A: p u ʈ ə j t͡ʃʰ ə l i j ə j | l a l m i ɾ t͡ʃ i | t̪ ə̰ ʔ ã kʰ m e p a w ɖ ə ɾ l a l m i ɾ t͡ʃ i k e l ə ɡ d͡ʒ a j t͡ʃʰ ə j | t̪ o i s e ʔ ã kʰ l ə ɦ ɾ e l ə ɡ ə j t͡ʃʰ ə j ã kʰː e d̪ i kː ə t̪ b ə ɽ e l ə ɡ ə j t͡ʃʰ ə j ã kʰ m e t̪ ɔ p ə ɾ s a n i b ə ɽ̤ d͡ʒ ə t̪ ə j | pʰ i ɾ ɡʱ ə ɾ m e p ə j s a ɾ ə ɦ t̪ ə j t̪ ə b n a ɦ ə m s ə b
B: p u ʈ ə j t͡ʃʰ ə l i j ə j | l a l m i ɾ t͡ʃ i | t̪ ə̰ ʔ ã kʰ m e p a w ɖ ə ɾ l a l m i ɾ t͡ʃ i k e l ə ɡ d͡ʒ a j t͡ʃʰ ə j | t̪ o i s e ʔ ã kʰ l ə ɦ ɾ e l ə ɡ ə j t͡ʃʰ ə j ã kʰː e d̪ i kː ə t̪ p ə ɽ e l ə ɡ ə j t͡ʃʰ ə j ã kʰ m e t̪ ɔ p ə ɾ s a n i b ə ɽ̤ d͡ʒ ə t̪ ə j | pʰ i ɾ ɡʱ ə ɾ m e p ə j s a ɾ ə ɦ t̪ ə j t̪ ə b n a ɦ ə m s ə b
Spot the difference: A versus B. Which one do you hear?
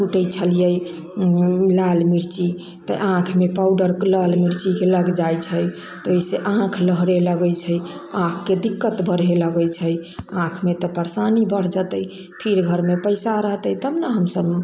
A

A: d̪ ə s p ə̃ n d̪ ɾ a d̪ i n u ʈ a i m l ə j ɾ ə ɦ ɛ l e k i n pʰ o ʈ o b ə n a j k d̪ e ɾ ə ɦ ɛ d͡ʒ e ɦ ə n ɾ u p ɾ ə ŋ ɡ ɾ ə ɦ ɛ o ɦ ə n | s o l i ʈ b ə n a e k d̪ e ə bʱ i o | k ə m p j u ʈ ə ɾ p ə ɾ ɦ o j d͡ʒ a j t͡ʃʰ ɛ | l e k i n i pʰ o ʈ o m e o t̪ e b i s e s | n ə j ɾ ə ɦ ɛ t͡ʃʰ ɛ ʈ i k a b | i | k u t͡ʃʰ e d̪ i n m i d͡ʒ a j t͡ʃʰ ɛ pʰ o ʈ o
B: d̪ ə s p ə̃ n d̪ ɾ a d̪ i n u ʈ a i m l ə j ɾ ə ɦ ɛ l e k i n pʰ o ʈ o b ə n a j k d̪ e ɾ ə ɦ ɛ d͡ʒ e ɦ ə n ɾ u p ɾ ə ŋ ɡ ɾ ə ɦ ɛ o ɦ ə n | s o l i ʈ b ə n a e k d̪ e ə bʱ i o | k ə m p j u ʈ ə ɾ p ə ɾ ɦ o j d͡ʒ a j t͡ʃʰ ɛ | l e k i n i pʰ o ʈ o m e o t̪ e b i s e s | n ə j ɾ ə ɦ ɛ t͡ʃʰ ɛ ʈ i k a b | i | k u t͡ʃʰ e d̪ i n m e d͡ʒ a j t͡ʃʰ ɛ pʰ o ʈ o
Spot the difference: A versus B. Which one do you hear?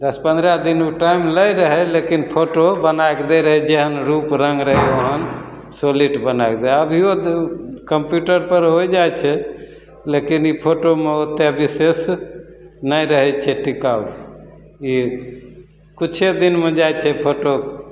B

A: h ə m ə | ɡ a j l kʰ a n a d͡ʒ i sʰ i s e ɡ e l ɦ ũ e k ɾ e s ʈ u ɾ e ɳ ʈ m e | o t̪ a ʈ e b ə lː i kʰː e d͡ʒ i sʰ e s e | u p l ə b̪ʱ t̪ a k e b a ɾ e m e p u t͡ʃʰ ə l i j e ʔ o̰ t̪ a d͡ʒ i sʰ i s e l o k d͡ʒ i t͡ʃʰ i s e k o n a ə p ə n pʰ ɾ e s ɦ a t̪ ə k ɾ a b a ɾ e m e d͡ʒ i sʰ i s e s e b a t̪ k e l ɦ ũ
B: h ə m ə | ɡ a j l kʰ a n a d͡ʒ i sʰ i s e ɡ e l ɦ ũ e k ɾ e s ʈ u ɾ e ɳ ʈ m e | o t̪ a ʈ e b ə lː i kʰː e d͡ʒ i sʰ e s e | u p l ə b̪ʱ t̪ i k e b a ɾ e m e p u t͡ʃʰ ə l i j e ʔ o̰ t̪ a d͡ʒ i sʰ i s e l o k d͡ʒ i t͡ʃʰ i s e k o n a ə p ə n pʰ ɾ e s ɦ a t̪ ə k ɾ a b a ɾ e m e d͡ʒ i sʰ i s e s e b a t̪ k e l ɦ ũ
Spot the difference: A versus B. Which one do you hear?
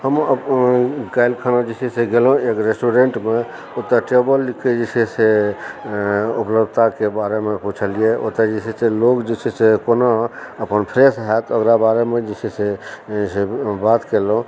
A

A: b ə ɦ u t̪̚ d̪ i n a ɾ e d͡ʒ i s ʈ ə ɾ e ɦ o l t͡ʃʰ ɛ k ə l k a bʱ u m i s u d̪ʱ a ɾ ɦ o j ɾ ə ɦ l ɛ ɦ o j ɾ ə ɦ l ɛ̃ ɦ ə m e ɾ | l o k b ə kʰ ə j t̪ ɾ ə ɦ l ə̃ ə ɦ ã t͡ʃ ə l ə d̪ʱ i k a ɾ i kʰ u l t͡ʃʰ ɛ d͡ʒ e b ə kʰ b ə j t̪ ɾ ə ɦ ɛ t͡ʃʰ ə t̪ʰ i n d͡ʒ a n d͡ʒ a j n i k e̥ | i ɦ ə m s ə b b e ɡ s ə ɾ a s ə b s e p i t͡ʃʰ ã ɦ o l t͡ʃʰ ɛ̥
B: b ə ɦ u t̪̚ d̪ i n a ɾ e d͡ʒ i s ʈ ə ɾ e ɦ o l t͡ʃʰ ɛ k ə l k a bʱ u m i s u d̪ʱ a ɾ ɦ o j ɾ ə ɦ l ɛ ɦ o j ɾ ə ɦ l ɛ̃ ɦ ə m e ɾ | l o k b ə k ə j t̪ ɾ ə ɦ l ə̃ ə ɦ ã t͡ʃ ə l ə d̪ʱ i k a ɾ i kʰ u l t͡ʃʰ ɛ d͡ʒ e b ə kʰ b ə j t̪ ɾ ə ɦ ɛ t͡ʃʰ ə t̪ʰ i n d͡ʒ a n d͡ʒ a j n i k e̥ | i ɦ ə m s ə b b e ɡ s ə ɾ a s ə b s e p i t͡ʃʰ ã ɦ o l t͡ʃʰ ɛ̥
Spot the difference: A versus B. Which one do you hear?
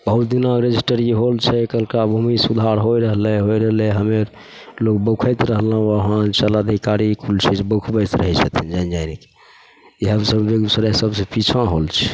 A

